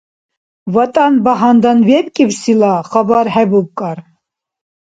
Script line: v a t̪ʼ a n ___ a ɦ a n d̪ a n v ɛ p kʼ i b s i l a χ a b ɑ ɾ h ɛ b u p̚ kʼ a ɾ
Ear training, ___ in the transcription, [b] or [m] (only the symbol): b